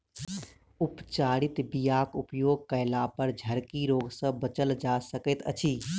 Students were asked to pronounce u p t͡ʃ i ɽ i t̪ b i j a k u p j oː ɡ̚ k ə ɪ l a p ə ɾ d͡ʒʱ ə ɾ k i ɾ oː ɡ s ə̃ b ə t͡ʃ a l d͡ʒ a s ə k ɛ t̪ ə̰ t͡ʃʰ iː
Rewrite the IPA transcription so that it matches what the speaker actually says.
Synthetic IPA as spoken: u p t͡ʃ a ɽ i t̪ b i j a k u p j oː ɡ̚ k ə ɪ l a p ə ɾ d͡ʒʱ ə ɾ k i ɾ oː ɡ s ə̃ b ə t͡ʃ ə l d͡ʒ a s ə k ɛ t̪ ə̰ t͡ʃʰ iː